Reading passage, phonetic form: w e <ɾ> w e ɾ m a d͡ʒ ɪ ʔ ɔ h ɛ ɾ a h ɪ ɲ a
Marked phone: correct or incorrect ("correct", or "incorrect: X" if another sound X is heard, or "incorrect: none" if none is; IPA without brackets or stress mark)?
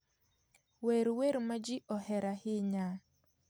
correct